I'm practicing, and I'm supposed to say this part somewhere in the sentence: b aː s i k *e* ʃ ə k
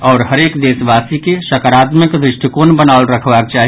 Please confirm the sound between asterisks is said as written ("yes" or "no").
yes